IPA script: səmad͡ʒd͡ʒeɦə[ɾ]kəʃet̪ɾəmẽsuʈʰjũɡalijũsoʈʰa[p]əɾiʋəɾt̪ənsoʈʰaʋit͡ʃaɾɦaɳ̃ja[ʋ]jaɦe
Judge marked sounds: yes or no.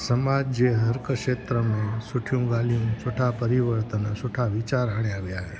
yes, yes, yes

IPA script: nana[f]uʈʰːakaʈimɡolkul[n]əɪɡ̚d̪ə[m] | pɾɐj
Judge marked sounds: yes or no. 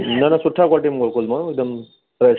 no, no, yes

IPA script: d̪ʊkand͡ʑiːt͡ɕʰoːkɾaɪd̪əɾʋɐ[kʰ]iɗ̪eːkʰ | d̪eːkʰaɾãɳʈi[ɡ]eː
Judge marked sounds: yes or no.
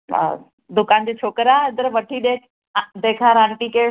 no, no

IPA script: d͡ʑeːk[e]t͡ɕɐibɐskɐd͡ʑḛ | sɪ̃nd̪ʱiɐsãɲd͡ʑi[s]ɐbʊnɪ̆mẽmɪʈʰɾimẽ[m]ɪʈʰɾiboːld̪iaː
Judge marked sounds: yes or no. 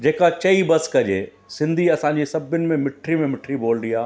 no, yes, yes

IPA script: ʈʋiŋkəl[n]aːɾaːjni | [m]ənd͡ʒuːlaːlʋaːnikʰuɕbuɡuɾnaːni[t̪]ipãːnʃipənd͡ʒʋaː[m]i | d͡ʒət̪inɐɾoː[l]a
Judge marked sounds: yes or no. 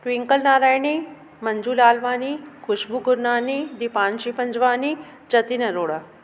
yes, yes, no, no, no

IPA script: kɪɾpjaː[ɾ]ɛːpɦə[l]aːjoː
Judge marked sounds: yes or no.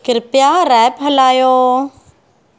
yes, yes

